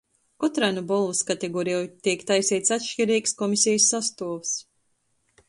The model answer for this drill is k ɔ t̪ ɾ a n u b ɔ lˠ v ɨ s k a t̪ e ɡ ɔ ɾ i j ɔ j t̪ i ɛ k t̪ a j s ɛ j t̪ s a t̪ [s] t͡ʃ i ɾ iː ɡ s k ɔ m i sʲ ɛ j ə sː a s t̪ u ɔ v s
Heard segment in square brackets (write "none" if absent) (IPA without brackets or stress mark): ʃ